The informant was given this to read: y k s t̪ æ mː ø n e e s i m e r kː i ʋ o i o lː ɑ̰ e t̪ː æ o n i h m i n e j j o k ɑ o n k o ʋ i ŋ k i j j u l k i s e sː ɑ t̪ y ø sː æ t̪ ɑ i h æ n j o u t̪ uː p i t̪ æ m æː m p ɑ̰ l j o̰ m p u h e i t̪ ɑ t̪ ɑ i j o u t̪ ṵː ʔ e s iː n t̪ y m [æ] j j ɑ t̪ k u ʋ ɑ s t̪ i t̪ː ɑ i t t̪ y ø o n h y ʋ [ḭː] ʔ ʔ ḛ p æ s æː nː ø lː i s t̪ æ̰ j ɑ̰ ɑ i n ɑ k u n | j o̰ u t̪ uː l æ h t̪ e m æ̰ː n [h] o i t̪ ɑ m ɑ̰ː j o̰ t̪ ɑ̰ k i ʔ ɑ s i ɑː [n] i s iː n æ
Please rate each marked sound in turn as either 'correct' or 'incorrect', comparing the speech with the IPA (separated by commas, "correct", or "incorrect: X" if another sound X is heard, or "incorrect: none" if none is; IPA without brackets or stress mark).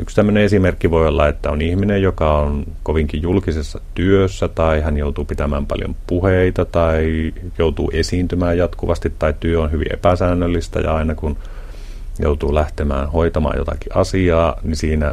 incorrect: æː, incorrect: ḭ, correct, correct